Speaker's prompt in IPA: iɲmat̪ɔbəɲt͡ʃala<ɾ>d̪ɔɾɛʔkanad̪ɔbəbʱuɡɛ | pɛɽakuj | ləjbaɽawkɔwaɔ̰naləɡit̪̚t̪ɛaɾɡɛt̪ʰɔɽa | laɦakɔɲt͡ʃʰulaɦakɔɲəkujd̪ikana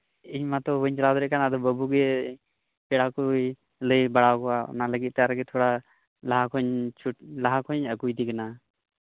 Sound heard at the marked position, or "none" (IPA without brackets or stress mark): none